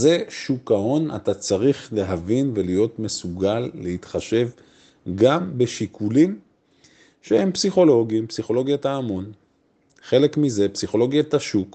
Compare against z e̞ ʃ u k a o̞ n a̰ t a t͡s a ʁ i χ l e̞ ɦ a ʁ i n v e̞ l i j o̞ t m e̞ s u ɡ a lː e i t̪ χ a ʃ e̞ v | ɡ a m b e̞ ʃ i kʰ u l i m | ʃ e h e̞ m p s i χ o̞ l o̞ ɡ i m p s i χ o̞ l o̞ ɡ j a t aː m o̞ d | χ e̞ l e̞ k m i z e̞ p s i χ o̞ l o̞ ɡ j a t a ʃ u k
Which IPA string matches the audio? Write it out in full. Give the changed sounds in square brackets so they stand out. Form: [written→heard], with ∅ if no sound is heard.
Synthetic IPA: z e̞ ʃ u k a o̞ n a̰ t a t͡s a ʁ i χ l e̞ ɦ a [ʁ→v] i n v e̞ l i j o̞ t m e̞ s u ɡ a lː e i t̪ χ a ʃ e̞ v | ɡ a m b e̞ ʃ i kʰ u l i m | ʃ e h e̞ m p s i χ o̞ l o̞ ɡ i m p s i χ o̞ l o̞ ɡ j a t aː m o̞ [d→n] | χ e̞ l e̞ k m i z e̞ p s i χ o̞ l o̞ ɡ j a t a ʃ u k